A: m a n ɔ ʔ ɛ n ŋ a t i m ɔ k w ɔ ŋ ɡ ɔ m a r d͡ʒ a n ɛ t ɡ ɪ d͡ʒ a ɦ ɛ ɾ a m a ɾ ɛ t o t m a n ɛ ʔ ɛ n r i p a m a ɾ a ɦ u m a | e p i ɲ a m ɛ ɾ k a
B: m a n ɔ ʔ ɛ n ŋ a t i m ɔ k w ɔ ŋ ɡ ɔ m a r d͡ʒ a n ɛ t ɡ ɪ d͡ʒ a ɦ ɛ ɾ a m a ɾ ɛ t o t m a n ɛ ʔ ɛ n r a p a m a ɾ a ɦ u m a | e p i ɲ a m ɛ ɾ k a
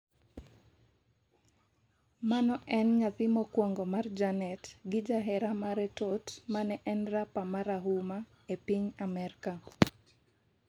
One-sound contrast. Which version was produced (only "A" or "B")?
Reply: B